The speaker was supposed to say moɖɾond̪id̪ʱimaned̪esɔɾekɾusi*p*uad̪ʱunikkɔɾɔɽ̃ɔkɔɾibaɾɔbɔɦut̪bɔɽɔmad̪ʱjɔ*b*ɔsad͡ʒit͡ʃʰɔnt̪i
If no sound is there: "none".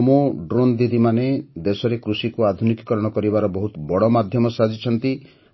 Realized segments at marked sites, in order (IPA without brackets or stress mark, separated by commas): k, m